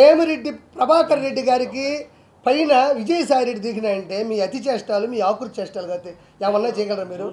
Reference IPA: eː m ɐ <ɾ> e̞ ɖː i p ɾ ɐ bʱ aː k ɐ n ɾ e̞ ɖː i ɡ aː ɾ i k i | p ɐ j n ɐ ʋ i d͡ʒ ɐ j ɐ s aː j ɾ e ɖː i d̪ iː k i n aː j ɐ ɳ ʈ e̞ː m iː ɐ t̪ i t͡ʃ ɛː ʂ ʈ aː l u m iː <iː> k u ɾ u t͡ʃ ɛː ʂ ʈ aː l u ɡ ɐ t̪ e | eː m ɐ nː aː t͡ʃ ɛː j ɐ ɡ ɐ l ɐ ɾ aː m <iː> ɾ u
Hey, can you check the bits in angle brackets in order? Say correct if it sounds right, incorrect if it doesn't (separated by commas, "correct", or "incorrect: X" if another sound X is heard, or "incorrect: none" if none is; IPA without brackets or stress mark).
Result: correct, incorrect: aː, correct